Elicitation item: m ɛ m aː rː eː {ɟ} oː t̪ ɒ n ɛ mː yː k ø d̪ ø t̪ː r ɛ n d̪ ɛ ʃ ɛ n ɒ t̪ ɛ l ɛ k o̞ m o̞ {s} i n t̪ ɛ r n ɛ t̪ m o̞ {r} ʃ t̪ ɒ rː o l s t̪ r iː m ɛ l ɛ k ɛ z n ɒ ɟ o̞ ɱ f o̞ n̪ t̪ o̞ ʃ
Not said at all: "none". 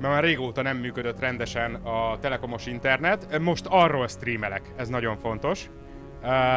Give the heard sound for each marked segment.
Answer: ɡ, ʃ, none

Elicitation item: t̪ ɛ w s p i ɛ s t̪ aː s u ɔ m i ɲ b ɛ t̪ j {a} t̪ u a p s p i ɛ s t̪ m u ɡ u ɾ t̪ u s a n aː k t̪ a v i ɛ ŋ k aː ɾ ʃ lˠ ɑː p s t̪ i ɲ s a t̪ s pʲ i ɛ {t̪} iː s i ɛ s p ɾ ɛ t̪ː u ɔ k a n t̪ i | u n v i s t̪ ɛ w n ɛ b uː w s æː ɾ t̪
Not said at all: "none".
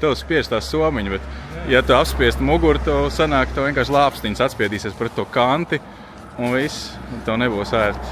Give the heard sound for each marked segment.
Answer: a, d̪

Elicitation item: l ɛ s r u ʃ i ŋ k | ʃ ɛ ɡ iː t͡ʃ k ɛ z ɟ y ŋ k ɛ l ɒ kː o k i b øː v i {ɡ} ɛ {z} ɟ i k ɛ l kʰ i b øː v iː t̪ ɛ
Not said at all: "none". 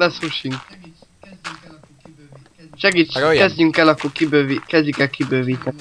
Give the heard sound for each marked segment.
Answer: k, z

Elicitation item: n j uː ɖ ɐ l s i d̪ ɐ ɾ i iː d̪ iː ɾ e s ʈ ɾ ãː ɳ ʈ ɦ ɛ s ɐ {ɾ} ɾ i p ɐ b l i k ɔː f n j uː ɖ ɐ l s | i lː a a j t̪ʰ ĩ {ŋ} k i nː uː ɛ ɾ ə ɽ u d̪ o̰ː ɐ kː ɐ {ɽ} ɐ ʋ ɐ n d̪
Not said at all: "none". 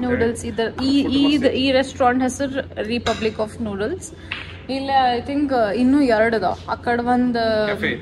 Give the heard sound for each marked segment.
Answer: ɾ, ŋ, ɽ

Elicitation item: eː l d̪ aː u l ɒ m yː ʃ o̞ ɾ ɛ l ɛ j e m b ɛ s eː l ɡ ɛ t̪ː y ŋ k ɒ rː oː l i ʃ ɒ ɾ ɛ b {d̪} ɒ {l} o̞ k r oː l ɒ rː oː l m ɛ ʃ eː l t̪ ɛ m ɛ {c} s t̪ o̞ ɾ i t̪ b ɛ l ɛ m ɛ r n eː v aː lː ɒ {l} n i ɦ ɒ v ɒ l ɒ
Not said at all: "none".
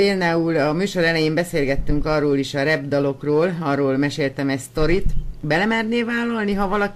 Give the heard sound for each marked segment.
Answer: d̪, l, c, l

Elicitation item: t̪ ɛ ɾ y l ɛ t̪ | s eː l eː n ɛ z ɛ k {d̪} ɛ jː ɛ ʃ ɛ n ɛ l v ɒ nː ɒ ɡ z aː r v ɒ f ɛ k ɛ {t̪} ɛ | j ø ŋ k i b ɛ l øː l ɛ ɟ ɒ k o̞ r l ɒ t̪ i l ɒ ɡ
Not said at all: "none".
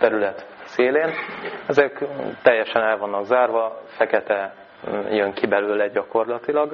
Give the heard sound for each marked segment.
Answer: t̪, t̪

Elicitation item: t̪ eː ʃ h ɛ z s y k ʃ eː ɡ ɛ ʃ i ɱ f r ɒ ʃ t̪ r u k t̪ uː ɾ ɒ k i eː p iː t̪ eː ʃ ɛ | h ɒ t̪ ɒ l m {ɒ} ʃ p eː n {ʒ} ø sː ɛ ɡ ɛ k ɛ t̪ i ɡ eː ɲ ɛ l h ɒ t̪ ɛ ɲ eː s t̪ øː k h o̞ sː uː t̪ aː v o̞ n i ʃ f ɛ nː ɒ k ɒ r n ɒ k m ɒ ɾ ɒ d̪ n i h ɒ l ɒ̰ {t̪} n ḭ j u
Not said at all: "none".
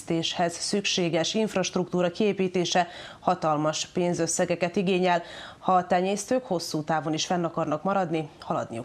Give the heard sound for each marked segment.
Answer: ɒ, z, d̪

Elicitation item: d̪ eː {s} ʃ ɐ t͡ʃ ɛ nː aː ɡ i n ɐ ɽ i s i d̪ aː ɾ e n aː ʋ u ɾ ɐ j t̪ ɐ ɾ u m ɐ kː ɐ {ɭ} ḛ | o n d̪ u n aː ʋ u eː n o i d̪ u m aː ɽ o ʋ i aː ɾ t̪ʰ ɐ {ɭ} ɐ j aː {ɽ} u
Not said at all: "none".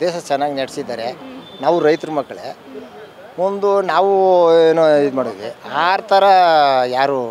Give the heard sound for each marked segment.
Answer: none, ɭ, ɾ, ɾ

